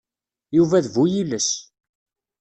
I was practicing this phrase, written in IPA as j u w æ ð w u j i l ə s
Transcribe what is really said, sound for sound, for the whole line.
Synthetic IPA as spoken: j u v æ ð v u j i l ə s

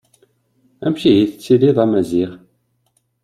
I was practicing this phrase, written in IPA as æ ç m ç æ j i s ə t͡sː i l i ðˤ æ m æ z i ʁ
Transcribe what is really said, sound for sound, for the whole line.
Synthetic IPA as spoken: æ m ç i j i θ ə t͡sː i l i ðˤ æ m æ z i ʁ

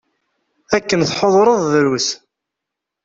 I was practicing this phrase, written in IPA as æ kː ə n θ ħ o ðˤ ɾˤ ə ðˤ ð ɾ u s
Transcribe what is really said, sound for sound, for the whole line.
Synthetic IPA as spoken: æ kː ə n θ ħ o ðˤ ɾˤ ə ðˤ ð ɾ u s

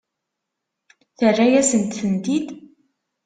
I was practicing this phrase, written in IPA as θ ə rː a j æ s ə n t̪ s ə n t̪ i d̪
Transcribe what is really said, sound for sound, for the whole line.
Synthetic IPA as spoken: θ ə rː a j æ s ə n t̪ θ ə n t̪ i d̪

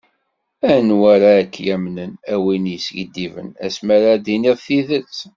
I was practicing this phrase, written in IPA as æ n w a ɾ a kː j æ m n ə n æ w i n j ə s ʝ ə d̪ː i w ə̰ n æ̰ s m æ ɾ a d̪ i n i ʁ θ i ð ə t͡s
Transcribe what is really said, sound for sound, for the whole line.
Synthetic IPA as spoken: æ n w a ɾ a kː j æ m n ə n æ w i n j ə s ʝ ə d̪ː i v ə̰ n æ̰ s m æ ɾ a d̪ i n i ð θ i ð ə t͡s

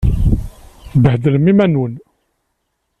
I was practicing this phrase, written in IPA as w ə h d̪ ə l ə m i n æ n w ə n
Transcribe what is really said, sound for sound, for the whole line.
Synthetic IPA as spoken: b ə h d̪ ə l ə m i m æ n w ə n

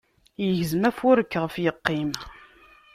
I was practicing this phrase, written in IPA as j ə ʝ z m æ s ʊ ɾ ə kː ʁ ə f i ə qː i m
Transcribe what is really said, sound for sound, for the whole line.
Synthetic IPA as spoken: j ə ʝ z m æ f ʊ ɾ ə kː ʁ ə f j ə qː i m

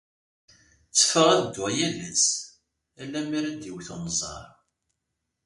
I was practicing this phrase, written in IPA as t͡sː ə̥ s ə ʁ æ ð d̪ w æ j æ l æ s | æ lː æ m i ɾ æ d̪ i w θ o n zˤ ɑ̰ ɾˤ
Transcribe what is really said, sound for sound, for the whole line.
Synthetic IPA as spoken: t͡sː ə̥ f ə ʁ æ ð d̪ w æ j æ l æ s | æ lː æ m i ɾ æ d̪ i w θ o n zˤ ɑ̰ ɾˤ

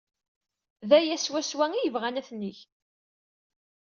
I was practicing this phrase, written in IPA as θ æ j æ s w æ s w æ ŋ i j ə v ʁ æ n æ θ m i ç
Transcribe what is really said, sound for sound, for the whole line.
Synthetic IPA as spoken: ð æ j æ s w æ s w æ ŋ i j ə v ʁ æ n æ θ n i ç

